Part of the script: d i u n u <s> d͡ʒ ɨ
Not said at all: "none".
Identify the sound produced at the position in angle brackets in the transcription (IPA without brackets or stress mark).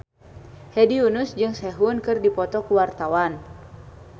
s